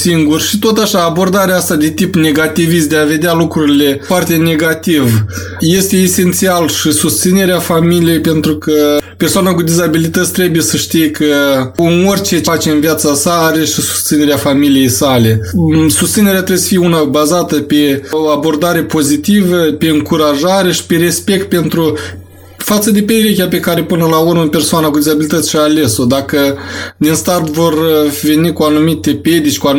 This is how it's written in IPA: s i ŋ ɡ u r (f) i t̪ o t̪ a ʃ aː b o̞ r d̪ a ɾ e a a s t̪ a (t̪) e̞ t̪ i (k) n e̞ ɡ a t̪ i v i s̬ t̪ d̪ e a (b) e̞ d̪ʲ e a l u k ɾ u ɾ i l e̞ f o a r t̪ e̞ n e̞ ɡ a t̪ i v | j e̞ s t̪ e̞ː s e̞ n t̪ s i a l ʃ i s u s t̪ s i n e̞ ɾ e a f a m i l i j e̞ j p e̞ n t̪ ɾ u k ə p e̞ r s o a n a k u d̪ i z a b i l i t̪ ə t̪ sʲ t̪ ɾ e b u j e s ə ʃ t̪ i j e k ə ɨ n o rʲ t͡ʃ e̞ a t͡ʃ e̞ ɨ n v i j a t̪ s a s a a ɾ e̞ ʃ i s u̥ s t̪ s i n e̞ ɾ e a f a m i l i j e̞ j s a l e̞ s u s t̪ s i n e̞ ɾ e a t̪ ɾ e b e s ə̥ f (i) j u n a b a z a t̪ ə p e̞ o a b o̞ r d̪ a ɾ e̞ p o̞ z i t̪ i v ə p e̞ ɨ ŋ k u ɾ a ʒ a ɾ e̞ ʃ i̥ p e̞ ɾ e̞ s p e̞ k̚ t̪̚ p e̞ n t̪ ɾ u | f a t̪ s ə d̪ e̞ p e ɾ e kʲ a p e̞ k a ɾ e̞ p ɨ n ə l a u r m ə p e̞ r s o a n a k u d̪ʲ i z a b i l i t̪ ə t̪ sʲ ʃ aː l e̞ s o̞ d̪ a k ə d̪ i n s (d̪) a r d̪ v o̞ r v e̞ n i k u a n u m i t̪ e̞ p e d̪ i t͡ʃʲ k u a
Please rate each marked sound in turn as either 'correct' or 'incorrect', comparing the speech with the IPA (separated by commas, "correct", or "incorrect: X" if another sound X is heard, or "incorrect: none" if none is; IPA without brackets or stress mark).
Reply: incorrect: ʃ, incorrect: d̪, incorrect: p, incorrect: v, correct, incorrect: t̪